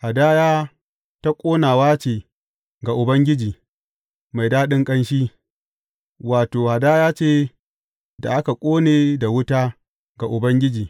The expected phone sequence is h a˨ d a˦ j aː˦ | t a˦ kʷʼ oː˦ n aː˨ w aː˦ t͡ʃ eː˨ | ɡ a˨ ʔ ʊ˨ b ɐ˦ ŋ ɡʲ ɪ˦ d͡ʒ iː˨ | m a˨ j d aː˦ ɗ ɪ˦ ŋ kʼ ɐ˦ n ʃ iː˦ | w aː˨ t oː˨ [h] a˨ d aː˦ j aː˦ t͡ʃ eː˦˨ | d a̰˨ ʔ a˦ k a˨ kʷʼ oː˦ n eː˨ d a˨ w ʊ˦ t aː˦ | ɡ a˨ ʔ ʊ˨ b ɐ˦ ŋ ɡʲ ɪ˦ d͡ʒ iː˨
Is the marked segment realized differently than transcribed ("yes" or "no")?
no